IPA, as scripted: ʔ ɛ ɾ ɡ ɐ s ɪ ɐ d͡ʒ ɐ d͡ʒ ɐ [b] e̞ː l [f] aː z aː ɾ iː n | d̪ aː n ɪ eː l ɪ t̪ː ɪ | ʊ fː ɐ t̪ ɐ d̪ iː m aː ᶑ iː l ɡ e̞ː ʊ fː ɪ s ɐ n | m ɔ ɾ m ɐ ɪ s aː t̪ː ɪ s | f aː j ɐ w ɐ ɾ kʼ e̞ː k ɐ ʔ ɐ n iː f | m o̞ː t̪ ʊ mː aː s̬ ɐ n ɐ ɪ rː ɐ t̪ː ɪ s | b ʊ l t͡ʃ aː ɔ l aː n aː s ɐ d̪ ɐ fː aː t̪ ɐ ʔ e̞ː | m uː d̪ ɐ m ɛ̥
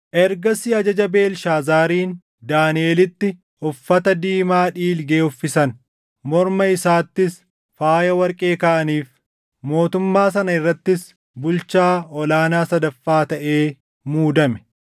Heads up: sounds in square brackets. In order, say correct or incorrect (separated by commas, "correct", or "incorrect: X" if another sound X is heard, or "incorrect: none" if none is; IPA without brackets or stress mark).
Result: correct, incorrect: ʃ